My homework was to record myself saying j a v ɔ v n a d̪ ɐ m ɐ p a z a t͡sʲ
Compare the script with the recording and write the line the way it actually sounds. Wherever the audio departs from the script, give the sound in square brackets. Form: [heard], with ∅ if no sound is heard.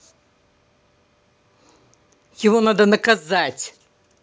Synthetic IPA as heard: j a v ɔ [∅] n a d̪ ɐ [n] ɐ [k] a z a t͡sʲ